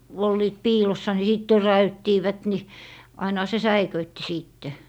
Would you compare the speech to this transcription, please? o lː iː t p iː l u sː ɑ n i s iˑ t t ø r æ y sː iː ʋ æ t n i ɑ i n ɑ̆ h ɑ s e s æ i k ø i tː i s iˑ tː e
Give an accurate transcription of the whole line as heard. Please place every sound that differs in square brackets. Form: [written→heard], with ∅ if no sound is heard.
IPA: o lː iː t p iː l [u→o] sː ɑ n i s iˑ t t ø r æ y [sː→tː] iː ʋ æ t n i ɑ i n ɑ̆ h ɑ s e s æ i k ø i tː i s iˑ tː e